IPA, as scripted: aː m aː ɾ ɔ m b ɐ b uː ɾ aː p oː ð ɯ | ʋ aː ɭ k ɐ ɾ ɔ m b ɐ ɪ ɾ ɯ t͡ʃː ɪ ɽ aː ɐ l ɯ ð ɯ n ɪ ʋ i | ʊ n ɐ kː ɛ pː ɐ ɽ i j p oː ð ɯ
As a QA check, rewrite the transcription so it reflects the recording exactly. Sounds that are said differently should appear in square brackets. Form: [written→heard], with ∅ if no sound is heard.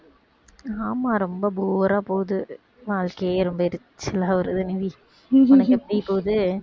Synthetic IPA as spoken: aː m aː ɾ ɔ m b ɐ b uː ɾ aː p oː ð ɯ | ʋ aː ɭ k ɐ ɾ ɔ m b ɐ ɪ ɾ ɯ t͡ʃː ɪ [ɽ→l] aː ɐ [l→ɾ] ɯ ð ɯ n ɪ ʋ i | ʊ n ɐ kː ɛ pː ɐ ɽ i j p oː ð ɯ

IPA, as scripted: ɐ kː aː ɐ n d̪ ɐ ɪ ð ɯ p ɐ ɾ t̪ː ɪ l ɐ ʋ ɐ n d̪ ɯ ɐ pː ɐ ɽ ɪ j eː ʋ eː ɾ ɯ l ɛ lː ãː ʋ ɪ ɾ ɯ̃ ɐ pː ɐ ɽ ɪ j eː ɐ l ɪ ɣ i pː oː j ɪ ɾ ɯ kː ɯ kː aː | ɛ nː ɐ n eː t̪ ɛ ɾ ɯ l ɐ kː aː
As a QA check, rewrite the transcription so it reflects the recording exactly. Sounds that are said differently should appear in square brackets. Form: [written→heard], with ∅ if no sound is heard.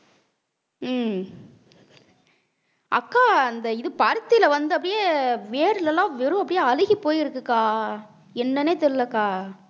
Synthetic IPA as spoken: ɐ kː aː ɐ n d̪ ɐ ɪ ð ɯ p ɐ ɾ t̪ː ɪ l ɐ ʋ ɐ n d̪ ɯ ɐ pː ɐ ɽ ɪ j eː ʋ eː ɾ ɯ l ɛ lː ãː ʋ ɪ ɾ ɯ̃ ɐ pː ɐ ɽ ɪ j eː ɐ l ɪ ɣ i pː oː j ɪ ɾ ɯ kː ɯ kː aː | ɛ nː ɐ n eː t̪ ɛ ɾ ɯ l ɐ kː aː

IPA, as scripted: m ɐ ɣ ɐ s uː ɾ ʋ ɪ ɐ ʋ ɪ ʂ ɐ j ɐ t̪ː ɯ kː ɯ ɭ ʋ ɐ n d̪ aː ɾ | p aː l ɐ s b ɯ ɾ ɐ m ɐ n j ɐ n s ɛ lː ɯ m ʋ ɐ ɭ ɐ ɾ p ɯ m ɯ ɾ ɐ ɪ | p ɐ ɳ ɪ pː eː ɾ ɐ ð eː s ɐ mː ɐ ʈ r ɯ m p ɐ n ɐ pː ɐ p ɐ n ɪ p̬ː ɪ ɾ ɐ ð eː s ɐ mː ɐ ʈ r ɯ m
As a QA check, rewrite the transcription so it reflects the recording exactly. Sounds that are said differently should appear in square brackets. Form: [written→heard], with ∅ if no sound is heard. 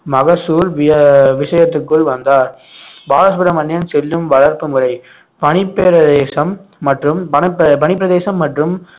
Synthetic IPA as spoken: m ɐ ɣ ɐ s uː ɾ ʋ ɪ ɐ ʋ ɪ ʂ ɐ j ɐ t̪ː ɯ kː ɯ ɭ ʋ ɐ n d̪ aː ɾ | [p→b] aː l ɐ s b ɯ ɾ ɐ m ɐ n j ɐ n s ɛ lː ɯ m ʋ ɐ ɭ ɐ ɾ p ɯ m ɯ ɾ ɐ ɪ | p ɐ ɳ ɪ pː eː ɾ ɐ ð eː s ɐ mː ɐ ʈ r ɯ m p ɐ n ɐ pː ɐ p ɐ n ɪ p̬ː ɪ ɾ ɐ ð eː s ɐ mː ɐ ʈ r ɯ m

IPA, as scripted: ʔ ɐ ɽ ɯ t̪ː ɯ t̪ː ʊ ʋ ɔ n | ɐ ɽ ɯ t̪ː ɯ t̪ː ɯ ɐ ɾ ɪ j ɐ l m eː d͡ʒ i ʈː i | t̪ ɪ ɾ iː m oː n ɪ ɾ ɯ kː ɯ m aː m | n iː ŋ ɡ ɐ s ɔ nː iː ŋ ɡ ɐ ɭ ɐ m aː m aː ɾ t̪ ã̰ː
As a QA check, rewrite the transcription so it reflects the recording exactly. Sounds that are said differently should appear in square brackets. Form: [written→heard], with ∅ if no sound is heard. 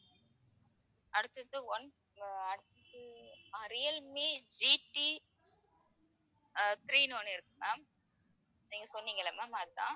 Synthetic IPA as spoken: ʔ ɐ ɽ ɯ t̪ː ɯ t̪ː [ʊ→ɯ] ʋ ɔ n | ɐ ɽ ɯ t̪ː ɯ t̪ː ɯ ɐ ɾ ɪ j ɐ l m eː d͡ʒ i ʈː i | t̪ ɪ ɾ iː [m→n] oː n ɪ ɾ ɯ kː ɯ m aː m | n iː ŋ ɡ ɐ s ɔ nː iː ŋ ɡ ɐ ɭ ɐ m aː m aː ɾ t̪ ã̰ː

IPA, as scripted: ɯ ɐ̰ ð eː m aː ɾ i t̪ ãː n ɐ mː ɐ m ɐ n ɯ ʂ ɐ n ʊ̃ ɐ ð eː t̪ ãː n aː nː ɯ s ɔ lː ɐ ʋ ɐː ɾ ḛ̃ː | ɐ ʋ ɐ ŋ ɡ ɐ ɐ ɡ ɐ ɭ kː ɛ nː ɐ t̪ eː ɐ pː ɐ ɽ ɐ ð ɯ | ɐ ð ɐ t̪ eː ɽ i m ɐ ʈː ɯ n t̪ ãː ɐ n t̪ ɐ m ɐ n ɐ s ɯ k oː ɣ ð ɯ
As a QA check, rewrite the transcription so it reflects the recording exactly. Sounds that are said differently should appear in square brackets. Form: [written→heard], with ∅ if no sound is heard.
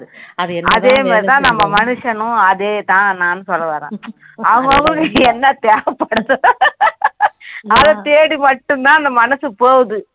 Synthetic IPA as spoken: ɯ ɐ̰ ð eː m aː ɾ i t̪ ãː n ɐ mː ɐ m ɐ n ɯ ʂ ɐ n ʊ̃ ɐ ð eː t̪ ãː n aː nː ɯ s ɔ lː ɐ ʋ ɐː ɾ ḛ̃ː | ɐ ʋ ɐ ŋ ɡ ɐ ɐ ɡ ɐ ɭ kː ɛ nː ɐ t̪ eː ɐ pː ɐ ɽ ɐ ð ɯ | ɐ ð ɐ t̪ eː ɽ i m ɐ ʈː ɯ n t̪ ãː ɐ n [t̪→d̪] ɐ m ɐ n ɐ s ɯ [k→p] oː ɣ ð ɯ

